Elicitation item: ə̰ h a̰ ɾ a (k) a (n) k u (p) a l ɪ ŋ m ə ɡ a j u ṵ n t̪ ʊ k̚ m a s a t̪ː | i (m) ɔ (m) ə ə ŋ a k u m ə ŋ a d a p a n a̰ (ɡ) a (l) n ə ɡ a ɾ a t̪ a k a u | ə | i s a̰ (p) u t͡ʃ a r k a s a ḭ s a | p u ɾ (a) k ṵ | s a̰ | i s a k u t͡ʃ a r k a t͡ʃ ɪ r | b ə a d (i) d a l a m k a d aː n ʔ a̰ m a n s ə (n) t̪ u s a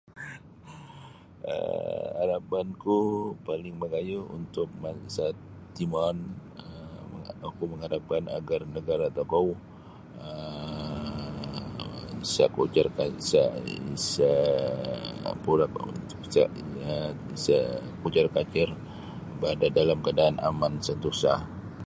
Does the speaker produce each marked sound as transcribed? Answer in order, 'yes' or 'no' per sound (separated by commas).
no, yes, yes, yes, no, yes, no, no, yes, no, yes